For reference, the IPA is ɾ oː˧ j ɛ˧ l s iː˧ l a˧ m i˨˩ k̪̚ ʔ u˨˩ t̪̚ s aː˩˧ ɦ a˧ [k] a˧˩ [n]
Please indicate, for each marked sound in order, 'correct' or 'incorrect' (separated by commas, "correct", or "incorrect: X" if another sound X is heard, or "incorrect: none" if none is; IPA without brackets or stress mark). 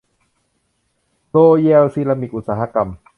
correct, incorrect: m